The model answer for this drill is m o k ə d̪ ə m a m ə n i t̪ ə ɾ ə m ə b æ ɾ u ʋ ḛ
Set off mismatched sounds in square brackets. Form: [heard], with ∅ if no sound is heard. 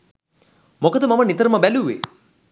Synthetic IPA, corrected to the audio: m o k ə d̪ ə m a m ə n i t̪ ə ɾ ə m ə b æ [l] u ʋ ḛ